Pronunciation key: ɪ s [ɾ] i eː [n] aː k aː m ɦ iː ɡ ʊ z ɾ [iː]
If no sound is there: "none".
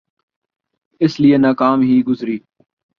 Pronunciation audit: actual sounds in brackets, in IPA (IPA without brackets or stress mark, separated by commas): l, n, iː